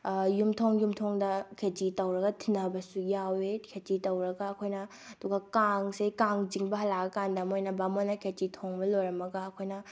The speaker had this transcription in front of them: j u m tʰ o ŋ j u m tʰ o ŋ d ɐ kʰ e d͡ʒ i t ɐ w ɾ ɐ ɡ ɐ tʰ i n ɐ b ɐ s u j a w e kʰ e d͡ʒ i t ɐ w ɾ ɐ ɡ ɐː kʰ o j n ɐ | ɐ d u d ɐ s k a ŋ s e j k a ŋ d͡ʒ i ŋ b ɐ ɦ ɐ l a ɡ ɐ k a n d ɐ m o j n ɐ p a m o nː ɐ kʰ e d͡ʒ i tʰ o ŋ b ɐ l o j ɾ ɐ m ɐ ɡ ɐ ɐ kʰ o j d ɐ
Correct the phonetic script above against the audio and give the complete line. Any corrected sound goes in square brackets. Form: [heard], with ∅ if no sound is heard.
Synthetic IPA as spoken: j u m tʰ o ŋ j u m tʰ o ŋ d ɐ kʰ e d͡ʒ i t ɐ w ɾ ɐ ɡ ɐ tʰ i n ɐ b ɐ s u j a w e kʰ e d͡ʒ i t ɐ w ɾ ɐ ɡ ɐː kʰ o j n ɐ | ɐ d u [ɡ] ɐ [∅] k a ŋ s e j k a ŋ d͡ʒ i ŋ b ɐ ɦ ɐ l a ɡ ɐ k a n d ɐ m o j n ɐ [b] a m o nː ɐ kʰ e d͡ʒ i tʰ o ŋ b ɐ l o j ɾ ɐ m ɐ ɡ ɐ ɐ kʰ o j [n] ɐ